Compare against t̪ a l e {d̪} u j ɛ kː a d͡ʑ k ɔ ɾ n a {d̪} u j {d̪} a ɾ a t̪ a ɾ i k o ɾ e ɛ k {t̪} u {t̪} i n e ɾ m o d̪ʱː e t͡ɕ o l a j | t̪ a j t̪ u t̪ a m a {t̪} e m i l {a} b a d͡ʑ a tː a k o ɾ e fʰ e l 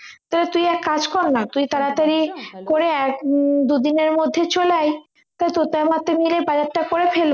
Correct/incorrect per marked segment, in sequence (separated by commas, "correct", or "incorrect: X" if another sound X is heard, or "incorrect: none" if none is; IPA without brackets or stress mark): incorrect: t̪, incorrect: t̪, incorrect: t̪, incorrect: d̪, incorrect: d̪, correct, incorrect: e